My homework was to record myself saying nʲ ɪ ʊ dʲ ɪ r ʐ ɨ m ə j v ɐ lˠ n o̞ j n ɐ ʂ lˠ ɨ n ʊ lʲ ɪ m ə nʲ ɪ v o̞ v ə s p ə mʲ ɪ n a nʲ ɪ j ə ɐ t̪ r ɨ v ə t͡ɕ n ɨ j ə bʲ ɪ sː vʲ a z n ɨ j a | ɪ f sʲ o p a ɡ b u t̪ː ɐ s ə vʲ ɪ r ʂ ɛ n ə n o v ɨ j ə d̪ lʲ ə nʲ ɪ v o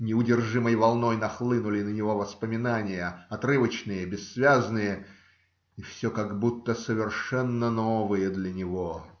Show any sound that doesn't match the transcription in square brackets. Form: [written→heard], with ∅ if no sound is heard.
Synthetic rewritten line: nʲ ɪ ʊ dʲ ɪ r ʐ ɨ m ə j v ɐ lˠ n o̞ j n ɐ [ʂ→x] lˠ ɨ n ʊ lʲ ɪ [m→n] ə nʲ ɪ v o̞ v ə s p ə mʲ ɪ n a nʲ ɪ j ə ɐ t̪ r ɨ v ə t͡ɕ n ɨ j ə bʲ ɪ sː vʲ a z n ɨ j [a→ə] | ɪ f sʲ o [p→k] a ɡ b u t̪ː [ɐ→ə] s ə vʲ ɪ r ʂ ɛ [n→nː] ə n o v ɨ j ə d̪ lʲ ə nʲ ɪ v o